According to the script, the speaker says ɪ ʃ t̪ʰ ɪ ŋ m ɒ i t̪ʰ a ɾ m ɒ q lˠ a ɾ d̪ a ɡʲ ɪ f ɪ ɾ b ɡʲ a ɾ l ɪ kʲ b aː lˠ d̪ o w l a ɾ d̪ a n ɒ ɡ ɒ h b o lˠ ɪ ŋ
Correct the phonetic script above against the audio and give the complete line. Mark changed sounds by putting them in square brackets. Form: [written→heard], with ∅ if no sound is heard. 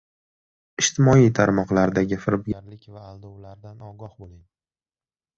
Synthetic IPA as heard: ɪ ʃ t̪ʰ ɪ [ŋ→∅] m ɒ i t̪ʰ a ɾ m ɒ q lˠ a ɾ d̪ a ɡʲ ɪ f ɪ ɾ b ɡʲ a ɾ l ɪ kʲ [b→v] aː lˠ d̪ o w l a ɾ d̪ a n ɒ ɡ ɒ h b o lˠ ɪ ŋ